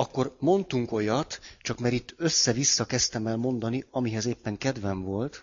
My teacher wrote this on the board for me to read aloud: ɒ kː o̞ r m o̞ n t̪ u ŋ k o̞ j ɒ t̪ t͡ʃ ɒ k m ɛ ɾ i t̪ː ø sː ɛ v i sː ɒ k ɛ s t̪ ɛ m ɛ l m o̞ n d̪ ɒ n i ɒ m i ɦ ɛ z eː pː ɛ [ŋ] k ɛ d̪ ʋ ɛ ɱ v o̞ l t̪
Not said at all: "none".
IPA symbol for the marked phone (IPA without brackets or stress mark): ŋ